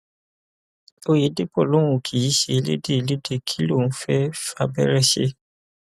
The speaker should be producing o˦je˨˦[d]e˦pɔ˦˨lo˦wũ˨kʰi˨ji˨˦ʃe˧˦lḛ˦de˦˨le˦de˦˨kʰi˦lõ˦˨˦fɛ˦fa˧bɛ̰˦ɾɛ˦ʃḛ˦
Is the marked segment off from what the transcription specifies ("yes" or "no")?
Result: no